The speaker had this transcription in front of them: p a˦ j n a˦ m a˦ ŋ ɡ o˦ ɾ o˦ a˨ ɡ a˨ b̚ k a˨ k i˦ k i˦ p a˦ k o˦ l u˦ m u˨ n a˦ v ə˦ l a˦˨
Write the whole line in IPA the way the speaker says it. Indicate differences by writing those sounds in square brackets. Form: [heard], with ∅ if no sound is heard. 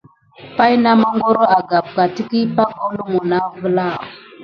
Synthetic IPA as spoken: p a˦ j n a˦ m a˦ ŋ ɡ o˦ ɾ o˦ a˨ ɡ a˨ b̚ k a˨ [t] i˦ k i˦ p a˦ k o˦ l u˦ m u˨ n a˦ v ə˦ l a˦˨